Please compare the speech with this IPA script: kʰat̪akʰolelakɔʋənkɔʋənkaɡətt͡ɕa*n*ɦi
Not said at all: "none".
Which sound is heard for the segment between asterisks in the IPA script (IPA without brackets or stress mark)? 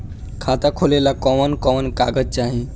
none